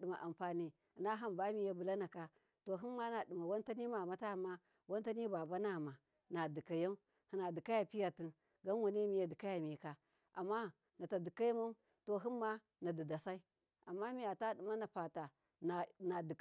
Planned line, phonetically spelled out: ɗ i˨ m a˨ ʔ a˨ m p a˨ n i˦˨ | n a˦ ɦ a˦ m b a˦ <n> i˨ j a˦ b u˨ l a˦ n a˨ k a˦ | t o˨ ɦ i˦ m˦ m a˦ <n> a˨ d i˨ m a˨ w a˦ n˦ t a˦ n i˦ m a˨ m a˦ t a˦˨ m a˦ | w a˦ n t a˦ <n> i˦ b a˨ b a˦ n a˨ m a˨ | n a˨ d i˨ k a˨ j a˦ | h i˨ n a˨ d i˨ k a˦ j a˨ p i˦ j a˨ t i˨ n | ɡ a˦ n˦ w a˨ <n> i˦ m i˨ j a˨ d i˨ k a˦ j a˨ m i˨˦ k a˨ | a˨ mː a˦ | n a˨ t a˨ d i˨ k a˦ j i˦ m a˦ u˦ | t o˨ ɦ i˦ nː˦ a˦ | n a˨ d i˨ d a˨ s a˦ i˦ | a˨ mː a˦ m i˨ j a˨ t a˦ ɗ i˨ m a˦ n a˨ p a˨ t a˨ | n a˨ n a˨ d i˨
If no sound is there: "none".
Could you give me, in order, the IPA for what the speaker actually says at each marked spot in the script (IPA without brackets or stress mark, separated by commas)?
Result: m, n, n, n